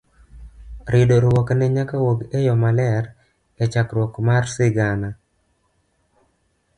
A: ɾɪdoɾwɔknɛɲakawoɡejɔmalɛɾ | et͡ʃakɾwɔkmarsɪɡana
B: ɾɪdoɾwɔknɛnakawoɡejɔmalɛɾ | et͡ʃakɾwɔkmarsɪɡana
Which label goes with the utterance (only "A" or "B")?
A